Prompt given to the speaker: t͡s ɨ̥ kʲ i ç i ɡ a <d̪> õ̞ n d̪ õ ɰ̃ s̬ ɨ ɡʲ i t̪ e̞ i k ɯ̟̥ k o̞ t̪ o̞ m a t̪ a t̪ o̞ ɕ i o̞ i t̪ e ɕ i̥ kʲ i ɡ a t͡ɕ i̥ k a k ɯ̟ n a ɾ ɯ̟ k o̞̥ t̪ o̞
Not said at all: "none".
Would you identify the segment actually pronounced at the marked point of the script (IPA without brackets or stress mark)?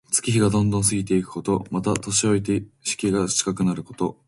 d̪